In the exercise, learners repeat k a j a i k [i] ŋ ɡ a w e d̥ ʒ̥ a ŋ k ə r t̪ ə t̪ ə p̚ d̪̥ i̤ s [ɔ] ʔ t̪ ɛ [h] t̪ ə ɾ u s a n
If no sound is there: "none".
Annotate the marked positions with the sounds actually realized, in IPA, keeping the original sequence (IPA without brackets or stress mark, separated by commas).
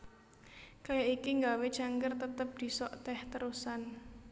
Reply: i, ɔ, h